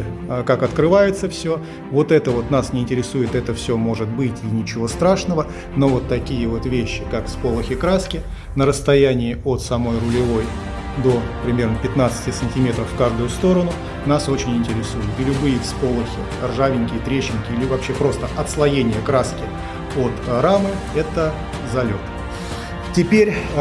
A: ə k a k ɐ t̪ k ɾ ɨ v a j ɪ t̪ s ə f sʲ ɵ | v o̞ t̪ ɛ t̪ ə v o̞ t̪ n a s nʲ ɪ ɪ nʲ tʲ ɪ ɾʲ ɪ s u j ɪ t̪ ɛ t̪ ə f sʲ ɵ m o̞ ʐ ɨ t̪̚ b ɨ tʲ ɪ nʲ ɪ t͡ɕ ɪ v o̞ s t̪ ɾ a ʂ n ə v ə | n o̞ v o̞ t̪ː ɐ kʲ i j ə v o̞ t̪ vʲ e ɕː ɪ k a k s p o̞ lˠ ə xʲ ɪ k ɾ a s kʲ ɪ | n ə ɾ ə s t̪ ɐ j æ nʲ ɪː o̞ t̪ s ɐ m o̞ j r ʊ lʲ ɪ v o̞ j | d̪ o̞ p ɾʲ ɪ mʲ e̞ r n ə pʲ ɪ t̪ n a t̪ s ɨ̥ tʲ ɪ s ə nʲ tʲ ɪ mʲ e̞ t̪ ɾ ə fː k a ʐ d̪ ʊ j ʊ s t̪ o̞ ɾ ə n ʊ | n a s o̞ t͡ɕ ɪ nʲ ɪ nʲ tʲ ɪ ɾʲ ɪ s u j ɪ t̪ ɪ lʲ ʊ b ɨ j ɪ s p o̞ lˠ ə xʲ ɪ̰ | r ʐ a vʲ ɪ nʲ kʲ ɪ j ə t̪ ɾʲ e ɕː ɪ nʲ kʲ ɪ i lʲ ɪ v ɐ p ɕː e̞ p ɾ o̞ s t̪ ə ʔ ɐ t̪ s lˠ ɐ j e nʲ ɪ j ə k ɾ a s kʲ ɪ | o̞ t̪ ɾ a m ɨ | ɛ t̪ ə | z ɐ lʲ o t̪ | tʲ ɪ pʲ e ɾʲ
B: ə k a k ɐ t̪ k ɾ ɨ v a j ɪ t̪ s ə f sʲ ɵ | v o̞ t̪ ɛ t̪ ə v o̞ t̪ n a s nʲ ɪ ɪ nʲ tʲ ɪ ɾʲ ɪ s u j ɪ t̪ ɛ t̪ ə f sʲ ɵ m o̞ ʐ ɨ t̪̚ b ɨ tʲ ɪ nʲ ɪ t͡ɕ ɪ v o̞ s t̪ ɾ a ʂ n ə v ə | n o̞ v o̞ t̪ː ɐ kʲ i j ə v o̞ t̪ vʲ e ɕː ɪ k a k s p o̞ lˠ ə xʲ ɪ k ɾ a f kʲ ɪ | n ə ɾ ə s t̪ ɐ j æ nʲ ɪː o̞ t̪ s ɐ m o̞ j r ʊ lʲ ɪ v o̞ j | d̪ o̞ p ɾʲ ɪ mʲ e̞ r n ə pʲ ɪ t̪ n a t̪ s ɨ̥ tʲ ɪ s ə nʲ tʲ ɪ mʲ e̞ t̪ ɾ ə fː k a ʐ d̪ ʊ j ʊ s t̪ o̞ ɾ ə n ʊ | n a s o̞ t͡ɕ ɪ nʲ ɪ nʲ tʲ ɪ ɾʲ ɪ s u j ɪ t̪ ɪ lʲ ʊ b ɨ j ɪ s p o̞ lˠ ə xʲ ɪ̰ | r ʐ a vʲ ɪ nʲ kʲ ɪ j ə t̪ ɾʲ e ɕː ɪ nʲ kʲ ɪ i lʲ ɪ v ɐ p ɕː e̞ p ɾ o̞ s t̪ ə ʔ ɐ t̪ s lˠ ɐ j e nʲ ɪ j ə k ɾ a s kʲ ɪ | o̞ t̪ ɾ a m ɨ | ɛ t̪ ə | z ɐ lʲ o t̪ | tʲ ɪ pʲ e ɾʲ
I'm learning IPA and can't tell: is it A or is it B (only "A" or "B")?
A